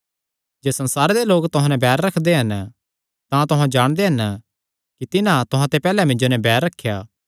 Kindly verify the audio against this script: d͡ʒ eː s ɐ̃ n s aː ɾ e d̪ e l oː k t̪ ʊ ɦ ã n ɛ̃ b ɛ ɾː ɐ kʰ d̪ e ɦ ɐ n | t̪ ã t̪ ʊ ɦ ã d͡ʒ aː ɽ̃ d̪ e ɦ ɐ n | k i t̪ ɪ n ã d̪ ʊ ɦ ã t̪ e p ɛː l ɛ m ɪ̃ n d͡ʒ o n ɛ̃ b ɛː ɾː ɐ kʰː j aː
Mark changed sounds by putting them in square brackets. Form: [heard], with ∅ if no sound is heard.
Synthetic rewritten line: d͡ʒ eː s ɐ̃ n s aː ɾ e d̪ e l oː k t̪ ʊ ɦ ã n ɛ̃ b [ɛː] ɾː ɐ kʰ d̪ e ɦ ɐ n | t̪ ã t̪ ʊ ɦ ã d͡ʒ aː ɽ̃ d̪ e ɦ ɐ n | k i t̪ ɪ n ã [t̪] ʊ ɦ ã t̪ e p ɛː l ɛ m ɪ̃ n d͡ʒ o n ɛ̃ b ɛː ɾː ɐ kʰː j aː

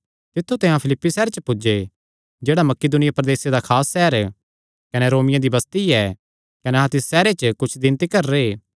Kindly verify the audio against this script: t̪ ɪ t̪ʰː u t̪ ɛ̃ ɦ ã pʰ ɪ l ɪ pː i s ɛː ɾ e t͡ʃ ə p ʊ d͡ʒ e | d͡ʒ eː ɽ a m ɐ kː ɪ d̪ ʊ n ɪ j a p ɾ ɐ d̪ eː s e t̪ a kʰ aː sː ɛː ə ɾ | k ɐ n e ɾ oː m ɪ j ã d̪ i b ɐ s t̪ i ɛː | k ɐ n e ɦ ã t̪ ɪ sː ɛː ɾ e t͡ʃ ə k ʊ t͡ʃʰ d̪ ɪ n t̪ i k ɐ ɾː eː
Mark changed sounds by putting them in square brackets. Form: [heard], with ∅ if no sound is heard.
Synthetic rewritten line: t̪ ɪ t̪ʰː u t̪ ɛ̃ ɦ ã pʰ ɪ l ɪ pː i s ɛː ɾ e t͡ʃ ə p ʊ d͡ʒ e | d͡ʒ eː ɽ a m ɐ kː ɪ d̪ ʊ n ɪ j a p ɾ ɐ d̪ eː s e [d̪] a kʰ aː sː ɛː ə ɾ | k ɐ n e ɾ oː m ɪ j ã d̪ i b ɐ s t̪ i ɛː | k ɐ n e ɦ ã t̪ ɪ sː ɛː ɾ e t͡ʃ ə k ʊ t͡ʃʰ d̪ ɪ n t̪ i k ɐ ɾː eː

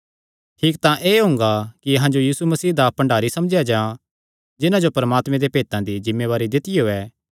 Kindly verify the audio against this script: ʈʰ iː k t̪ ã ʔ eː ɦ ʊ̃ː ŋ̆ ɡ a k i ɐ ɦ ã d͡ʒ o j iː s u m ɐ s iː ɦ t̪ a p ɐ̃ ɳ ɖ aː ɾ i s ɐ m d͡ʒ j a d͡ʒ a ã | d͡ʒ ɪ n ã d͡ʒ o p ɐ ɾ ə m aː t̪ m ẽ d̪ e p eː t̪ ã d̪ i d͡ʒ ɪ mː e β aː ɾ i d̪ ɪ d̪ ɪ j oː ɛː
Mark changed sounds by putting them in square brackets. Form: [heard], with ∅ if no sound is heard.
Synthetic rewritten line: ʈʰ iː k t̪ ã ʔ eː ɦ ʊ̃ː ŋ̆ ɡ a k i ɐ ɦ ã d͡ʒ o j iː s u m ɐ s iː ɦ [d̪] a p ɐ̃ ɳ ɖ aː ɾ i s ɐ m d͡ʒ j a d͡ʒ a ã | d͡ʒ ɪ n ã d͡ʒ o p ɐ ɾ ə m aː t̪ m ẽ d̪ e p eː t̪ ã d̪ i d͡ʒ ɪ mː e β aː ɾ i d̪ ɪ [t̪] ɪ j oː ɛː

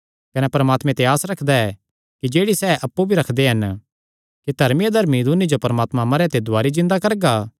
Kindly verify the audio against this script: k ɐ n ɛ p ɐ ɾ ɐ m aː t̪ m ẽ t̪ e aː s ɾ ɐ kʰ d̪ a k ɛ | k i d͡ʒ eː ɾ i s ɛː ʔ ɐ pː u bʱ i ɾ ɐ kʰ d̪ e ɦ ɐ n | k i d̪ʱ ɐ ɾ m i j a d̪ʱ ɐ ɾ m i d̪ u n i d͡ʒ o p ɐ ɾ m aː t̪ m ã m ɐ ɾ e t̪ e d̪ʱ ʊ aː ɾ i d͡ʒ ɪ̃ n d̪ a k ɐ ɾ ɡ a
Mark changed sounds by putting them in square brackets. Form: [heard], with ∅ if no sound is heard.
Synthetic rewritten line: k ɐ n ɛ p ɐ ɾ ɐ m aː t̪ m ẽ t̪ e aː s ɾ ɐ kʰ d̪ a [∅] ɛ | k i d͡ʒ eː [ɽ] i s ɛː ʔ ɐ pː u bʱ i ɾ ɐ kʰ d̪ e ɦ ɐ n | k i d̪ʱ ɐ ɾ m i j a d̪ʱ ɐ ɾ m i d̪ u n i d͡ʒ o p ɐ ɾ m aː t̪ m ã m ɐ ɾ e t̪ e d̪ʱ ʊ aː ɾ i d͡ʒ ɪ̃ n d̪ a k ɐ ɾ ɡ a

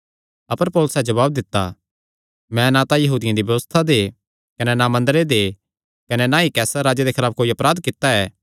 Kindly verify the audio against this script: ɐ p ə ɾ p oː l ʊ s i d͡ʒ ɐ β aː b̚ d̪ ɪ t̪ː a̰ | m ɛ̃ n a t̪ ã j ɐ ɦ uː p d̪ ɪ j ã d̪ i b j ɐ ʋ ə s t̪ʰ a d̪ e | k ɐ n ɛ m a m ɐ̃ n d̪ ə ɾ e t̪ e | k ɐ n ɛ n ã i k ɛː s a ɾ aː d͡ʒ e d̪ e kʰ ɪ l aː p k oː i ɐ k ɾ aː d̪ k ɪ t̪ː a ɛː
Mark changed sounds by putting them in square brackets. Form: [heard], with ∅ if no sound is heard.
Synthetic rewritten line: ɐ p ə ɾ p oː l ʊ s [ɛ] d͡ʒ ɐ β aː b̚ d̪ ɪ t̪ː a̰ | m ɛ̃ n a t̪ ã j ɐ ɦ uː [∅] d̪ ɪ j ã d̪ i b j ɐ ʋ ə s t̪ʰ a d̪ e | k ɐ n ɛ [n] a m ɐ̃ n d̪ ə ɾ e [d̪] e | k ɐ n ɛ n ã i k ɛː s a ɾ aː d͡ʒ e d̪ e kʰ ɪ l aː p k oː i ɐ [p] ɾ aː d̪ k ɪ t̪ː a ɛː

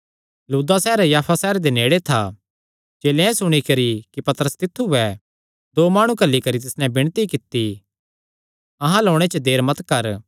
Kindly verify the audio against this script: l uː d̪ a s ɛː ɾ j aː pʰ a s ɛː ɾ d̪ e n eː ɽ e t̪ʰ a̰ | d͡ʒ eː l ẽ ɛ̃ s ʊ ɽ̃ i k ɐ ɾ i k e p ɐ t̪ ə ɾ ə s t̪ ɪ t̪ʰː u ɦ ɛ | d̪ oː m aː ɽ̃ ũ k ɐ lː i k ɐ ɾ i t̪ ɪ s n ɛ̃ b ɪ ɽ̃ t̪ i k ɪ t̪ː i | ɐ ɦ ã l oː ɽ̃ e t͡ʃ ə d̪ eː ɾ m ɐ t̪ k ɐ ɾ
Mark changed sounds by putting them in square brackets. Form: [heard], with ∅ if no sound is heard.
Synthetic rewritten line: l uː d̪ a s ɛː ɾ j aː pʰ a s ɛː ɾ d̪ e n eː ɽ e t̪ʰ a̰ | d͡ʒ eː l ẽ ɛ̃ s ʊ ɽ̃ i k ɐ ɾ i k [i] p ɐ t̪ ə ɾ ə s t̪ ɪ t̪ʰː u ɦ ɛ | d̪ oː m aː ɽ̃ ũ k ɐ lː i k ɐ ɾ i t̪ ɪ s n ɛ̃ b ɪ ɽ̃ t̪ i k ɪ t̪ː i | ɐ ɦ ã l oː ɽ̃ e t͡ʃ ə d̪ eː ɾ m ɐ t̪ k ɐ ɾ

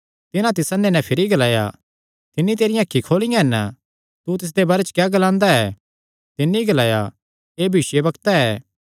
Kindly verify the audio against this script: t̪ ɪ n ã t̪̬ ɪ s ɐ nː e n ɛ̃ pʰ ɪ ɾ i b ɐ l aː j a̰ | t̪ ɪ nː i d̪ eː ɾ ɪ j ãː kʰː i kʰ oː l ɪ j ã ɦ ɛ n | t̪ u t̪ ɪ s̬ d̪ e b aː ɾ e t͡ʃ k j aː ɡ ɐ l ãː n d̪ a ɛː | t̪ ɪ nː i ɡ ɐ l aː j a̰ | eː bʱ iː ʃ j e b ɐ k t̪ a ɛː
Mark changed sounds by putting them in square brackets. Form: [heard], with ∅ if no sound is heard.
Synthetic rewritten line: t̪ ɪ n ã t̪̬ ɪ s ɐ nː e n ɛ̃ pʰ ɪ ɾ i [ɡ] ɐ l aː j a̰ | t̪ ɪ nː i [t̪] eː ɾ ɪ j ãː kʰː i kʰ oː l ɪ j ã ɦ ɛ n | t̪ u t̪ ɪ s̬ d̪ e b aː ɾ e t͡ʃ k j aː ɡ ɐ l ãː n d̪ a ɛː | t̪ ɪ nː i ɡ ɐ l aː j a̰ | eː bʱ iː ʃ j e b ɐ k t̪ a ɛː

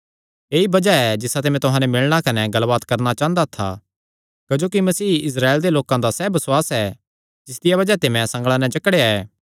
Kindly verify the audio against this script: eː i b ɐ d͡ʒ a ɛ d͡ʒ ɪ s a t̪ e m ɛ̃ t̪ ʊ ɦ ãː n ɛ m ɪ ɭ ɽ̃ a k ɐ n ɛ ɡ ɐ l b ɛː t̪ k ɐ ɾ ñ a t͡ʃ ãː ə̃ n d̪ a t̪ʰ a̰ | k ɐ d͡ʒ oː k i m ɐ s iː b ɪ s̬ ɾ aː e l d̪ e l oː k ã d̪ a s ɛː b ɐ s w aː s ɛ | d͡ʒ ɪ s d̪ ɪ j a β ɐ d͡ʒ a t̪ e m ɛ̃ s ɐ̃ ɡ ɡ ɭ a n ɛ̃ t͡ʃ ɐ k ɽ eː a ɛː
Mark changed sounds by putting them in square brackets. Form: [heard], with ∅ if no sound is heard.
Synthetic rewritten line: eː i b ɐ d͡ʒ a ɛ d͡ʒ ɪ s a t̪ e m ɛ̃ t̪ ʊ ɦ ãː n ɛ m ɪ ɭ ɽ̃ a k ɐ n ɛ ɡ ɐ l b [aː] t̪ k ɐ ɾ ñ a t͡ʃ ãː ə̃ n d̪ a t̪ʰ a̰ | k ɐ d͡ʒ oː k i m ɐ s iː [∅] ɪ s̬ ɾ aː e l d̪ e l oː k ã d̪ a s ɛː b ɐ s w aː s ɛ | d͡ʒ ɪ s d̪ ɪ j a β ɐ d͡ʒ a t̪ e m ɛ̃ s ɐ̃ [ŋ] ɡ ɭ a n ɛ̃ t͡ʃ ɐ k ɽ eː a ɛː

